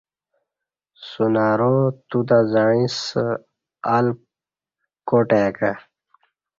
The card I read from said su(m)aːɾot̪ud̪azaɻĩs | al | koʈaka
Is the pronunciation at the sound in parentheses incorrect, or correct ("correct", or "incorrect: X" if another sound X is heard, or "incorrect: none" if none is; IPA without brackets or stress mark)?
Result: incorrect: n